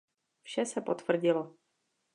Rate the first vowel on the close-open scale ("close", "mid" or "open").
mid